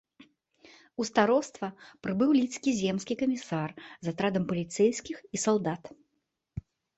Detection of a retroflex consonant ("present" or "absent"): absent